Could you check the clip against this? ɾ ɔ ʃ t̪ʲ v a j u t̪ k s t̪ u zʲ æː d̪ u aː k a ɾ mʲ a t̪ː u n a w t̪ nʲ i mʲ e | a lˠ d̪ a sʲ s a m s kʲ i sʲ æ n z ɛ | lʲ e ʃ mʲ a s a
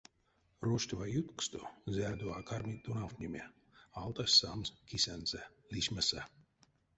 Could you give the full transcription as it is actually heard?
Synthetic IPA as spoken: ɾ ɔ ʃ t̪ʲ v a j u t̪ k s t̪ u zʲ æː d̪ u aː k a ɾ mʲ i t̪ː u n a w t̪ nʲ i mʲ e | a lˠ t̪ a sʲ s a m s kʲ i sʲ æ n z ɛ | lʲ i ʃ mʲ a s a

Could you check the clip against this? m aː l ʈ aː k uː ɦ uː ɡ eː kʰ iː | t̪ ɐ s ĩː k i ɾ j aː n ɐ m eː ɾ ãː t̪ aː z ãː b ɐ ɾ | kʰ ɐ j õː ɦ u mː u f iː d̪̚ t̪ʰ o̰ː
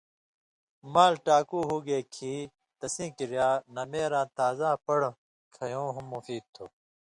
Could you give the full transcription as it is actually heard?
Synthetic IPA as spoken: m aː l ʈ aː k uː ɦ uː ɡ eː kʰ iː | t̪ ɐ s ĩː k i ɾ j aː n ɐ m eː ɾ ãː t̪ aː z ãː p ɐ ɽ | kʰ ɐ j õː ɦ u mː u f iː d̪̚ t̪ʰ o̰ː

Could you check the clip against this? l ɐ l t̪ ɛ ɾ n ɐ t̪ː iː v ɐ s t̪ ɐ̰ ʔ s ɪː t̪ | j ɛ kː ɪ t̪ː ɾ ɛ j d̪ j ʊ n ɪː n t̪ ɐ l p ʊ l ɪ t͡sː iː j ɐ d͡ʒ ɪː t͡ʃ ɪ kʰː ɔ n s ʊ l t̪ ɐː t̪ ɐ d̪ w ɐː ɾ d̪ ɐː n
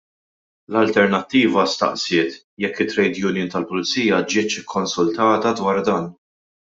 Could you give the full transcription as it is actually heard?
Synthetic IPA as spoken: l ɐ l t̪ ɛ ɾ n ɐ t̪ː iː v ɐ s t̪ ɐ̰ ʔ s ɪː t̪ | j ɛ kː ɪ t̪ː ɾ ɛ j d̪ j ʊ n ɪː n t̪ ɐ l p ʊ l ɪ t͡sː iː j ɐ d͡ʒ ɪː t͡ʃ ɪ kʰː ɔ n s ʊ l t̪ ɐː t̪ ɐ d̪ w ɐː ɾ d̪ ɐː n

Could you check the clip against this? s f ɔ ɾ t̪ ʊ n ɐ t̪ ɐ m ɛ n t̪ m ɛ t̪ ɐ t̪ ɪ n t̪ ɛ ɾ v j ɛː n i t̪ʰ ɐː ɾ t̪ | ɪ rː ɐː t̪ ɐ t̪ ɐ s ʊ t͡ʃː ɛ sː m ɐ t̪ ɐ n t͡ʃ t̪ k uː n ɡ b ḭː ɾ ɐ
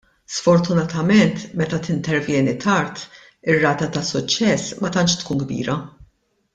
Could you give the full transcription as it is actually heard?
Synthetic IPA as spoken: s f ɔ ɾ t̪ ʊ n ɐ t̪ ɐ m ɛ n t̪ m ɛ t̪ ɐ t̪ ɪ n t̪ ɛ ɾ v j ɛː n i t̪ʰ ɐ ɾ t̪ | ɪ rː ɐː t̪ ɐ t̪ ɐ s ʊ t͡ʃː ɛ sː m ɐ t̪ ɐ n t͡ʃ t̪ k uː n ɡ b ḭː ɾ ɐ

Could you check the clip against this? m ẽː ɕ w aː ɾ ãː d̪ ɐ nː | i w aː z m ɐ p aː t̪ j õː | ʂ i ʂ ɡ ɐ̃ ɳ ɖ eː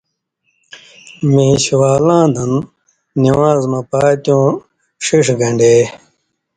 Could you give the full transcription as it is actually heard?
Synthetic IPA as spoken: m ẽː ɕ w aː l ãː d̪ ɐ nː | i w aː z m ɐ p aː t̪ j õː | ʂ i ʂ ɡ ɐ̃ ɳ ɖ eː

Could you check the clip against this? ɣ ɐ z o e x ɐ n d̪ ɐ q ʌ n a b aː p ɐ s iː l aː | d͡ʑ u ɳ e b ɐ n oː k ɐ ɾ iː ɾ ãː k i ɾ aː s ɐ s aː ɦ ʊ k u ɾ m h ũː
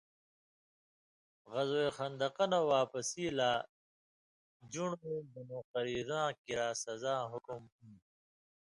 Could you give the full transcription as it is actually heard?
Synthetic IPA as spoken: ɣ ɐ z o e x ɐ n d̪ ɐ q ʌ n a w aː p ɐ s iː l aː | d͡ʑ u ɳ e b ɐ n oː q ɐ ɾ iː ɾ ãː k i ɾ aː s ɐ z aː ɦ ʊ k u m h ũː

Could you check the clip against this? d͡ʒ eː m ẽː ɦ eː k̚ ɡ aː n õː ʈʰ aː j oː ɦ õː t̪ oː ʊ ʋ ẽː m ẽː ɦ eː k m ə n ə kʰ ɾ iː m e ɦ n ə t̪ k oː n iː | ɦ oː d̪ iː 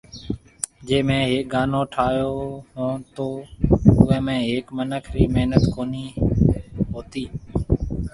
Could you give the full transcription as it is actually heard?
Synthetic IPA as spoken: d͡ʒ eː m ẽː ɦ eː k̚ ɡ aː n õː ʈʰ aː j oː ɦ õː t̪ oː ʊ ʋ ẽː m ẽː ɦ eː k m ə n ə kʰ ɾ iː m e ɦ n ə t̪ k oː n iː | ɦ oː t̪ iː

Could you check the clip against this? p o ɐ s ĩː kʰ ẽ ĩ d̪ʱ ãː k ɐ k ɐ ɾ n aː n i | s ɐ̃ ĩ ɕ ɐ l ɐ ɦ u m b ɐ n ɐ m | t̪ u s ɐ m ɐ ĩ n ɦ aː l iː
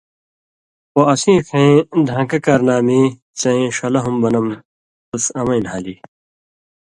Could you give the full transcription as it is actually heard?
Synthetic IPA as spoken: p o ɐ s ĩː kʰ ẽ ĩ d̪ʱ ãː k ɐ k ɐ ɾ n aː m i | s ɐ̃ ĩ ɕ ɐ l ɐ ɦ u m b ɐ n ɐ m | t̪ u s ɐ m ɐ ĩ n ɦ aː l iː

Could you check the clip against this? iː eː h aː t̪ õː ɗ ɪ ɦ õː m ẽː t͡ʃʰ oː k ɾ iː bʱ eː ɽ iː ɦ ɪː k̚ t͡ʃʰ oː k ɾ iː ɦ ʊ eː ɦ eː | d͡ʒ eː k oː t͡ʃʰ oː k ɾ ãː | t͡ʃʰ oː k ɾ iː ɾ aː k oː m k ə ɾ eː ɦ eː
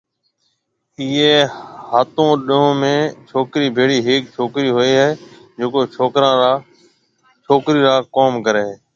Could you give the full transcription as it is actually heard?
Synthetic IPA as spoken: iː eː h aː t̪ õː ɗ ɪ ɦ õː m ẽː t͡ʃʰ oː k ɾ iː bʱ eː ɽ iː ɦ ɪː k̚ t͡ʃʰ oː k ɾ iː ɦ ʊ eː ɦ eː | d͡ʒ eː k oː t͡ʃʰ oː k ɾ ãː | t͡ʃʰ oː k ɾ iː ɾ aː k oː m k ə ɾ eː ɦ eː

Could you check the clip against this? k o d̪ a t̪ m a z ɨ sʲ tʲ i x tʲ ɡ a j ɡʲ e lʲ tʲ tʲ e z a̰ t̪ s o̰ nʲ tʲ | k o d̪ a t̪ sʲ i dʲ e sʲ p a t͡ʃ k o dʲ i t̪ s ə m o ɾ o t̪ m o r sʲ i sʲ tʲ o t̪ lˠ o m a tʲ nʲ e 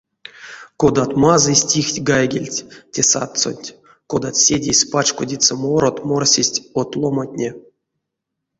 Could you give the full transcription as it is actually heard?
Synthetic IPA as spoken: k o d̪ a t̪ m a z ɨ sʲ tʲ i x tʲ ɡ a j ɡʲ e lʲ tʲ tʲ e s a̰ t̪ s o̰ nʲ tʲ | k o d̪ a t̪ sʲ e dʲ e sʲ p a t͡ʃ k o dʲ i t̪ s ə m o ɾ o t̪ m o r sʲ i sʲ tʲ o t̪ lˠ o m a tʲ nʲ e

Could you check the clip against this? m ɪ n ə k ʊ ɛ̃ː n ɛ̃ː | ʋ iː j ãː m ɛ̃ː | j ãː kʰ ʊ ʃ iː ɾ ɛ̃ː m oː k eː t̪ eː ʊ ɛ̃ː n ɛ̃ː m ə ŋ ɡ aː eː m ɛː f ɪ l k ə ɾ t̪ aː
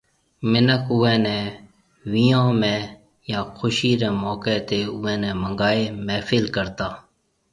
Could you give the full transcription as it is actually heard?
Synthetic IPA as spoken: m ɪ n ə k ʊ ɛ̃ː n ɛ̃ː | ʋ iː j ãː m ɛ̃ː | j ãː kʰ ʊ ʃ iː ɾ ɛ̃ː m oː k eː t̪ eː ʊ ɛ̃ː n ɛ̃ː m ə ŋ ɡ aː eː m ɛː f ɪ l k ə ɾ t̪ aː

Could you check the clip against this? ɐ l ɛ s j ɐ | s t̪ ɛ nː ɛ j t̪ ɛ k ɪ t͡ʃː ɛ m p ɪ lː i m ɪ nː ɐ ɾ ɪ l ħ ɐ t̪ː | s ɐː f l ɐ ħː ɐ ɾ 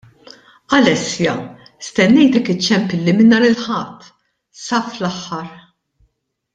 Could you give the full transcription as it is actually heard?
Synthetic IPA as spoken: ɐ l ɛ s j ɐ | s t̪ ɛ nː ɛ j t̪ ɛ k ɪ t͡ʃː ɛ m p ɪ lː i m ɪ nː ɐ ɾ ɪ l ħ ɐ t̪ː | s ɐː f l ɐ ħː ɐ ɾ

